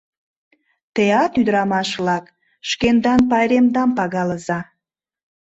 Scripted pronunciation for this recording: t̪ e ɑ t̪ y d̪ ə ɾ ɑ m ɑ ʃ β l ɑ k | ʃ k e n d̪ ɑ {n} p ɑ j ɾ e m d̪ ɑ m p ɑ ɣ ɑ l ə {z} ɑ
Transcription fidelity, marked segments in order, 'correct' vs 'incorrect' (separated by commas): correct, correct